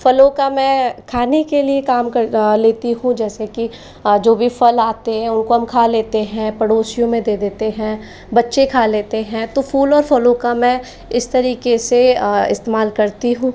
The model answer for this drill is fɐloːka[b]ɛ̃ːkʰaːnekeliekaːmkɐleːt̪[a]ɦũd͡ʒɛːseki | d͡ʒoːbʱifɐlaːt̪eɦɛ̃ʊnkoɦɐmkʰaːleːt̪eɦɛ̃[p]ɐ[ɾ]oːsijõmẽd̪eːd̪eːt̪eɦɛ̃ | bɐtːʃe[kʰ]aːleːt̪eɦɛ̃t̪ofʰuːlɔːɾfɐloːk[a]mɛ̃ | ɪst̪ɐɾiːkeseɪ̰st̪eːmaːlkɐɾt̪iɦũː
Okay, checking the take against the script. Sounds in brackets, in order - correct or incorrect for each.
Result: incorrect: m, incorrect: i, correct, incorrect: ɽ, correct, correct

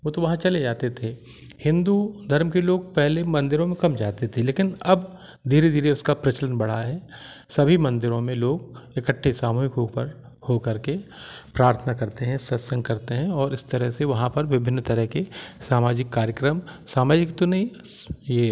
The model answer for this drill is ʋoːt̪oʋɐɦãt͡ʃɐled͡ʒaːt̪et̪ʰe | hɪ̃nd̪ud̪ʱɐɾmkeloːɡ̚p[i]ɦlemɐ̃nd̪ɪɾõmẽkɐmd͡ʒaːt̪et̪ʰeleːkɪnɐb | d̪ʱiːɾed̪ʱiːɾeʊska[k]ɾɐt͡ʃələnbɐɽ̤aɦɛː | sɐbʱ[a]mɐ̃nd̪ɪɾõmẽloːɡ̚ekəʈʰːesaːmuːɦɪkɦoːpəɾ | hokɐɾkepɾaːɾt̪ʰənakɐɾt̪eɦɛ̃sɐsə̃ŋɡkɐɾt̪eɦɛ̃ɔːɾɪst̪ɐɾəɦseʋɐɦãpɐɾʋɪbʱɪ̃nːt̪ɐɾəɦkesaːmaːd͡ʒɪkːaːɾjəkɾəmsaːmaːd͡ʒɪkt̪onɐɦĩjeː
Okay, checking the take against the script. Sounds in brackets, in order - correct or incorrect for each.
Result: incorrect: ɛ, incorrect: p, incorrect: i

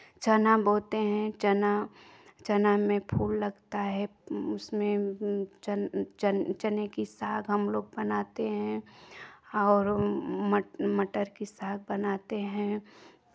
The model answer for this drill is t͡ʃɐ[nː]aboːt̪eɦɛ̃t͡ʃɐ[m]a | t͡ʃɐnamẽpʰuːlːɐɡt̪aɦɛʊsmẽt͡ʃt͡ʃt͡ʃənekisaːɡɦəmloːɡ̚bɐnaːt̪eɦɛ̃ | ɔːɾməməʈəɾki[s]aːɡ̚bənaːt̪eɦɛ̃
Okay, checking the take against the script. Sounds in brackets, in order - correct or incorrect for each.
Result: incorrect: n, incorrect: n, correct

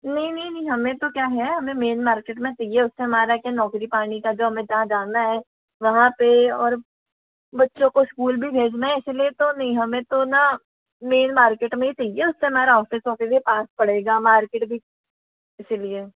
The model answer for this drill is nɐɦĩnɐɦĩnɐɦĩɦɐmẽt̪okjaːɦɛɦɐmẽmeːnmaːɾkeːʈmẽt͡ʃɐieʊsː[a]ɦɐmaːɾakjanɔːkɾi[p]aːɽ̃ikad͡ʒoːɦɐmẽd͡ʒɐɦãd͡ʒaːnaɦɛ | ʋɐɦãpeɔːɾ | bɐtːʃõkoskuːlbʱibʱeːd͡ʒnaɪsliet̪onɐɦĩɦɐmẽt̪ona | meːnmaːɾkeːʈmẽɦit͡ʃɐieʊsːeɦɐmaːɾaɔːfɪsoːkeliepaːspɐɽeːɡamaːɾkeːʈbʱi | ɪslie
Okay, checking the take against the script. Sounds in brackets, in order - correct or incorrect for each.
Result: incorrect: e, correct

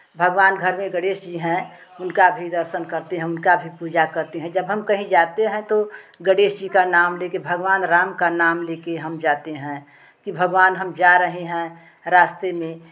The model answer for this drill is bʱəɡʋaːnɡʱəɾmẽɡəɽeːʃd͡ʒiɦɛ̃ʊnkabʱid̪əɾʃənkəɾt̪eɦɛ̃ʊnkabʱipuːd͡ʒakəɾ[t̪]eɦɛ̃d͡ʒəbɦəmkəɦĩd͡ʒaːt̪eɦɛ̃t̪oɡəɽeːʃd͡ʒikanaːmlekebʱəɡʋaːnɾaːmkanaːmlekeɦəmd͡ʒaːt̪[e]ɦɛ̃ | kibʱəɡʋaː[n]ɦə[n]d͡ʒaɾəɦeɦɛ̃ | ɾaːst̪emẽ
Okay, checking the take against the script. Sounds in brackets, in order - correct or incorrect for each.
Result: correct, correct, correct, incorrect: m

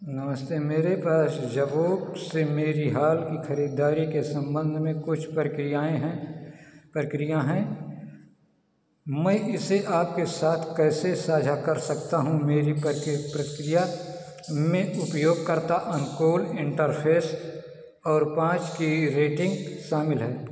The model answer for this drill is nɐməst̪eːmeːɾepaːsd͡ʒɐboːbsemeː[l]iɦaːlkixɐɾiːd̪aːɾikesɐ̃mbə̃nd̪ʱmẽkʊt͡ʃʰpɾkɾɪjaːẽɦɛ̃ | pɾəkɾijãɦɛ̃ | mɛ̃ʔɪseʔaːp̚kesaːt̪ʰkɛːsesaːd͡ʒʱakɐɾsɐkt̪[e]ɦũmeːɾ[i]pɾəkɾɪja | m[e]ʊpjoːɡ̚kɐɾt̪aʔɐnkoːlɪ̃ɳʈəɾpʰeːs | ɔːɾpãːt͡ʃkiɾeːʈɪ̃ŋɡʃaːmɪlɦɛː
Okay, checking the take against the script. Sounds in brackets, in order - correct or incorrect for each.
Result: incorrect: ɾ, incorrect: a, correct, incorrect: ẽ

